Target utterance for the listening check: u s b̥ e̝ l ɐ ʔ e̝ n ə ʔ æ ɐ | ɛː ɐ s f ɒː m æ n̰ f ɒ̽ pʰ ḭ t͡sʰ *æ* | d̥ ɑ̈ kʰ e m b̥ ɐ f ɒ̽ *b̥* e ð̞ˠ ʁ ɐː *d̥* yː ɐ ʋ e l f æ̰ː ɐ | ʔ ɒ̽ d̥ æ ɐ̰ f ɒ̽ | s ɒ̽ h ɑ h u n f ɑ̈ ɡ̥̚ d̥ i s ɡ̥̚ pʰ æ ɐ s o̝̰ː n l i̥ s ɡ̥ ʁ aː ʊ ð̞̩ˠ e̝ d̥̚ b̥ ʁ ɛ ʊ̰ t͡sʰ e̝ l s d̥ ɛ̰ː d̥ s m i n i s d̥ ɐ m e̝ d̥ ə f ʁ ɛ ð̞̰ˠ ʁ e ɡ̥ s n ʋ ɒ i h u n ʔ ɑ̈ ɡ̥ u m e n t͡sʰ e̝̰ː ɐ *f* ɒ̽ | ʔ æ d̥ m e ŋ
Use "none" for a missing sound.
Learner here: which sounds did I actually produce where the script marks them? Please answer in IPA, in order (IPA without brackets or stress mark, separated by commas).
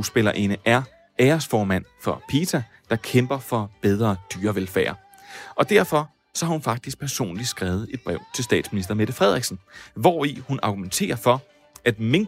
æ, b̥, d̥, f